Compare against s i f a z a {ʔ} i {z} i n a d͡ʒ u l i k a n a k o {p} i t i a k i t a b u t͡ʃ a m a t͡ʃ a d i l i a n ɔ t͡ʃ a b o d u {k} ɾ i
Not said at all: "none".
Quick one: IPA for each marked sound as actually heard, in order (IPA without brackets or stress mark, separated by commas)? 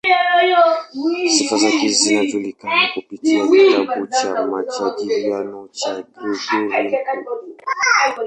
k, z, p, none